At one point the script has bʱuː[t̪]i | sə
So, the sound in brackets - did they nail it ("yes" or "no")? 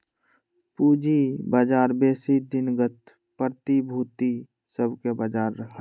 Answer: yes